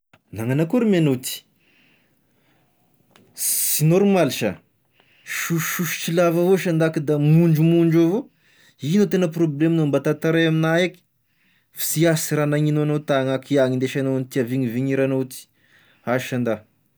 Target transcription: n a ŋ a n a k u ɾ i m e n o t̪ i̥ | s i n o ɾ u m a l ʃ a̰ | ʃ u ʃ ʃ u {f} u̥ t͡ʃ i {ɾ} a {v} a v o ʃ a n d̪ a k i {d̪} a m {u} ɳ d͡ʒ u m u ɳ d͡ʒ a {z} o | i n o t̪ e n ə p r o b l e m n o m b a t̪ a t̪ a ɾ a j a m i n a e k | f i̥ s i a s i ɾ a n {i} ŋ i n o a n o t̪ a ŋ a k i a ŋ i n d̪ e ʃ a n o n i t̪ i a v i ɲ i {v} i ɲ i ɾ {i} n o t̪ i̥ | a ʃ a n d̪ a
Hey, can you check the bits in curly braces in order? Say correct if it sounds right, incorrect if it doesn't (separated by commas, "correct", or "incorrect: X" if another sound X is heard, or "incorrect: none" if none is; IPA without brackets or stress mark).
incorrect: ʃ, incorrect: l, correct, correct, correct, incorrect: v, incorrect: a, correct, incorrect: a